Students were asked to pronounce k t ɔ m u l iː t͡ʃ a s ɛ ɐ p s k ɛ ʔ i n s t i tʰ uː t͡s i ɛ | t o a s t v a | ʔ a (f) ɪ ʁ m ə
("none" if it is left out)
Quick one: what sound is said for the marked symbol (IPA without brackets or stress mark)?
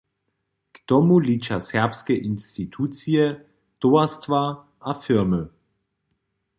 f